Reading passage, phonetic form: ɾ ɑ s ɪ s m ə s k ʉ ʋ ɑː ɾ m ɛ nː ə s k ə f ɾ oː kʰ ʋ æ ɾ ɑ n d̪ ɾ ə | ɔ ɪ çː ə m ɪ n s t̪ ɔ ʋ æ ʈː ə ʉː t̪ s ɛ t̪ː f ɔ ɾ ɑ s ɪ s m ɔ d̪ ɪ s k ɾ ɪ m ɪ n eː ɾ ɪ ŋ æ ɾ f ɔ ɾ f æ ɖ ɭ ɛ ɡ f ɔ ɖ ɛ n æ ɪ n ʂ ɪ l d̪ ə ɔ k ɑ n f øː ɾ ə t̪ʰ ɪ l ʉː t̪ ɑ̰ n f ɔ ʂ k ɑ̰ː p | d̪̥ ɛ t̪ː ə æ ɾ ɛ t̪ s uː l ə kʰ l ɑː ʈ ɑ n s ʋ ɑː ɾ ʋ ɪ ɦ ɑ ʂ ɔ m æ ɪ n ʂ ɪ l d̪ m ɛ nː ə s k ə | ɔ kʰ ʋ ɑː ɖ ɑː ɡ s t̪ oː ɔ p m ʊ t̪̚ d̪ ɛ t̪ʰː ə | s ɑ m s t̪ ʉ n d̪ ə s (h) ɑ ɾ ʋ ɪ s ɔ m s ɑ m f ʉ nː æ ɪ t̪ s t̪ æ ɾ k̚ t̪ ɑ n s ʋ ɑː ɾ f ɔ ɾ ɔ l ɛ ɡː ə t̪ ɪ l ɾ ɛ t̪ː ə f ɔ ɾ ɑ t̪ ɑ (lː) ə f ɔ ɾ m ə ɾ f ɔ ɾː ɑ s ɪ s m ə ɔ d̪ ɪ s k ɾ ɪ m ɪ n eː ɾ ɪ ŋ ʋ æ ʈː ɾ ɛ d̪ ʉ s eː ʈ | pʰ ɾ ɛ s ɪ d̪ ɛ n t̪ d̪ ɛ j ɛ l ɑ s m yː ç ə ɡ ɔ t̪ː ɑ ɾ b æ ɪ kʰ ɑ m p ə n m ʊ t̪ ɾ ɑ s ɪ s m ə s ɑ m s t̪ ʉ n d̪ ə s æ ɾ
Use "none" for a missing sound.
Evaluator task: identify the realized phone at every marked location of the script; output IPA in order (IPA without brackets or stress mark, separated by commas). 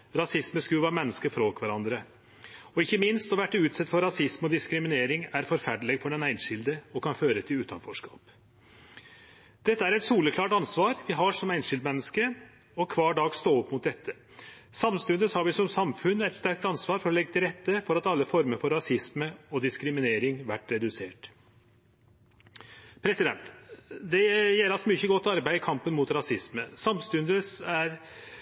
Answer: h, lː